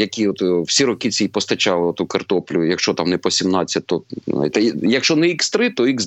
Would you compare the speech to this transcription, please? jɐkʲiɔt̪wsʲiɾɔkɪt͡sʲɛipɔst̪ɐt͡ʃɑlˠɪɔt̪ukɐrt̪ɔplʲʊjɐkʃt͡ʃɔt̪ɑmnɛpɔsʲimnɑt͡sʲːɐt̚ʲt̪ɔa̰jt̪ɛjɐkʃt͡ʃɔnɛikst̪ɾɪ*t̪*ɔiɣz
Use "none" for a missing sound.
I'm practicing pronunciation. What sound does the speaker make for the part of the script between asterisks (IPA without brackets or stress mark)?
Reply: t̪